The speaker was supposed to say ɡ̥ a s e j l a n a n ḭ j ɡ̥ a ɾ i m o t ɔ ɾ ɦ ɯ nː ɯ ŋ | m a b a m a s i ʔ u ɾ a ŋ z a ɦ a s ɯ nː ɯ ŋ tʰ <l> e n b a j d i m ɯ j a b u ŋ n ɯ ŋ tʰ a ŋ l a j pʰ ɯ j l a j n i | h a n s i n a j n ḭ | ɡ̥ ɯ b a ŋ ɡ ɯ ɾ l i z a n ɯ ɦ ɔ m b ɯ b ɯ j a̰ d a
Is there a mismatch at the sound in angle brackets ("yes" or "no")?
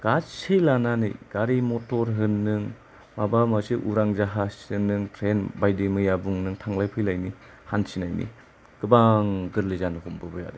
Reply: yes